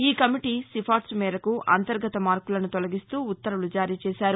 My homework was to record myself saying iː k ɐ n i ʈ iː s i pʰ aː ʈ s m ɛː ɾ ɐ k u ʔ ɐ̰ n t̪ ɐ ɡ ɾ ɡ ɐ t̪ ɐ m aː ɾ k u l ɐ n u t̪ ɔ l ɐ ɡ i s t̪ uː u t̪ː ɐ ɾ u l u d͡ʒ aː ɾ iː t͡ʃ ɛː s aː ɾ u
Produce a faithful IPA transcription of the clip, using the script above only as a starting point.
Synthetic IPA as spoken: iː k ɐ m i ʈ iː s i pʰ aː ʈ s m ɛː ɾ ɐ k u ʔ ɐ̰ n t̪ ɐ ɾ ɡ ɐ t̪ ɐ m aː ɾ k u l ɐ n u t̪ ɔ l ɐ ɡ i s t̪ uː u t̪ː ɐ ɾ u l u d͡ʒ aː ɾ iː t͡ʃ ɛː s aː ɾ u